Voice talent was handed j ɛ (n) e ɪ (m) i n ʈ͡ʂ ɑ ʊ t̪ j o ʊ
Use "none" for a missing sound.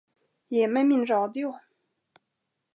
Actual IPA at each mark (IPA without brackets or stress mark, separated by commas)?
m, m